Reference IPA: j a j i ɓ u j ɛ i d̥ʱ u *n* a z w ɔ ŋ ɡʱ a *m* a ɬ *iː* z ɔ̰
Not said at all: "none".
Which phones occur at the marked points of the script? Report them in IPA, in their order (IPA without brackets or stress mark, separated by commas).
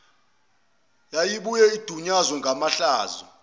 ɲ, m, aː